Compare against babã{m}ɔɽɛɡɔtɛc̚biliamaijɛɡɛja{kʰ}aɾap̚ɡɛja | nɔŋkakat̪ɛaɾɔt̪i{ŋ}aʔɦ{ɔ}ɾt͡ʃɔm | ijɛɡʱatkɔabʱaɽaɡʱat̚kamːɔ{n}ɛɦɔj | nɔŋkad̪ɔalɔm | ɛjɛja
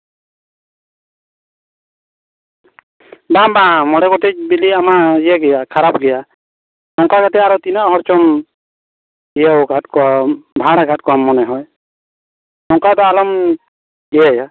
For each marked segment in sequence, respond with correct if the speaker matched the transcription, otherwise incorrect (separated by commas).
correct, correct, incorrect, correct, correct